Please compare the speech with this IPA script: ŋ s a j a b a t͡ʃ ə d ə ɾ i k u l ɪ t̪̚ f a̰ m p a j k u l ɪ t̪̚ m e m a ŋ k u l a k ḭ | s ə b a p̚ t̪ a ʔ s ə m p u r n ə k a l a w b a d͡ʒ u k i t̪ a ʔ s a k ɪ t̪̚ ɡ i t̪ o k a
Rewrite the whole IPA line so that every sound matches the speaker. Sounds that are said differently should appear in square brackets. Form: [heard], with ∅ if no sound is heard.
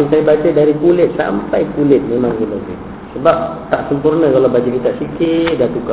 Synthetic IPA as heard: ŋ s a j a b a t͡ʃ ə d [a] ɾ i k u l ɪ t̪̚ [s] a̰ m p a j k u l ɪ t̪̚ m e m a ŋ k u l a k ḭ | s ə b a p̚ t̪ a ʔ s ə m p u r n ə k a l a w b a d͡ʒ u k i t̪ a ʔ s [i] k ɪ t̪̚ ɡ [a] t̪ [u] k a